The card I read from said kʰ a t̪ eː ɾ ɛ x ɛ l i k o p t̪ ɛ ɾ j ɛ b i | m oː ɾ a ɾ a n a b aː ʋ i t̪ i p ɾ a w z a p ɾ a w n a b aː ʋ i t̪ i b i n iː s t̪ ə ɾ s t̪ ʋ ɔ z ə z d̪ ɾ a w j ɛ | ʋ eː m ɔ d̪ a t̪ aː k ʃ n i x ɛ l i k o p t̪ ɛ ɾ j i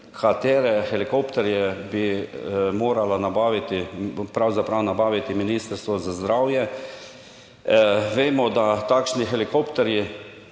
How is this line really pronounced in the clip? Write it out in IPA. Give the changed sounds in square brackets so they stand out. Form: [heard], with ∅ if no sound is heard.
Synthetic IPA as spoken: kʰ a t̪ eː ɾ ɛ x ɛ l i k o p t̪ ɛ ɾ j ɛ b i | m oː ɾ a [l] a n a b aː ʋ i t̪ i p ɾ a w z a p ɾ a w n a b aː ʋ i t̪ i [m] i n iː s t̪ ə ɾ s t̪ ʋ ɔ z [a] z d̪ ɾ a w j ɛ | ʋ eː m ɔ d̪ a t̪ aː k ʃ n i x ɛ l i k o p t̪ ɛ ɾ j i